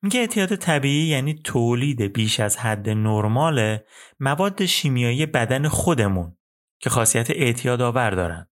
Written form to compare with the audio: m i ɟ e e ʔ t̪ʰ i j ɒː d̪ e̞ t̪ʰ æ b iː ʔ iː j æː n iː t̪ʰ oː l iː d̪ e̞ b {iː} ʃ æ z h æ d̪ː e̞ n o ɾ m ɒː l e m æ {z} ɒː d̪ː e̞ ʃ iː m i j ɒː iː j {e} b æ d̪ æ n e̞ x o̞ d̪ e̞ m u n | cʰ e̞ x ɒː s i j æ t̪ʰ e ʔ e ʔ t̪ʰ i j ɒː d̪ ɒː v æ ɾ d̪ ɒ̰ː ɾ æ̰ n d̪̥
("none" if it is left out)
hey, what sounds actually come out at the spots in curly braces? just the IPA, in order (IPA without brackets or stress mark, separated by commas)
iː, v, e